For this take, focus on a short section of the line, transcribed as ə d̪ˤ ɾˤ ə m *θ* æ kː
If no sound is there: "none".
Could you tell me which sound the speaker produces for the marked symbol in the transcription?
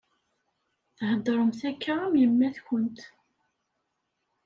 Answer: θ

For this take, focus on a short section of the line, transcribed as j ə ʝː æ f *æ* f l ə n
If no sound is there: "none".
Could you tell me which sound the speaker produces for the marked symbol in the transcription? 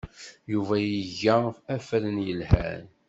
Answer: æ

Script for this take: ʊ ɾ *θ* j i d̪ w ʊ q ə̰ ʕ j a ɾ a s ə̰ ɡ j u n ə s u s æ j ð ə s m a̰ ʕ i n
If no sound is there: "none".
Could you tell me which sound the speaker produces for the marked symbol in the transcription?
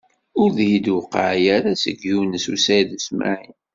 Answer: ð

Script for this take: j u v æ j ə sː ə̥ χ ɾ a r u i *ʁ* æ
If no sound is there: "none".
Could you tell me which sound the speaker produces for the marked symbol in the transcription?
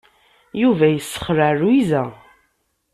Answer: z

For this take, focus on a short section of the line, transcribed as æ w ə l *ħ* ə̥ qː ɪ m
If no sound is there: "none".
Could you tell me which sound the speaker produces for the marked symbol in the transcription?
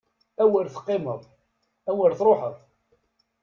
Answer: θ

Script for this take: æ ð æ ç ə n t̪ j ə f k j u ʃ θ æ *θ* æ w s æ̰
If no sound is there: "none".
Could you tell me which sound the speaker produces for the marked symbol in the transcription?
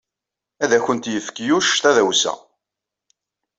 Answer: ð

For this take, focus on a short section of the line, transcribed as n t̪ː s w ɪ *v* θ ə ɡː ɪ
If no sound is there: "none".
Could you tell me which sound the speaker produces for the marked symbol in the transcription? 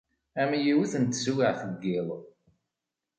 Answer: ʕ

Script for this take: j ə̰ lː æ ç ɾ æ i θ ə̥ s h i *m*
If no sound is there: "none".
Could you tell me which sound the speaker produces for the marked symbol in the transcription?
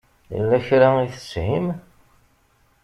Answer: m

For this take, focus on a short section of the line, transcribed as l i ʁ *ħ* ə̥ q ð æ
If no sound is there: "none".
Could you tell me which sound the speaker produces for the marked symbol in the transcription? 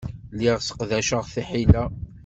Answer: s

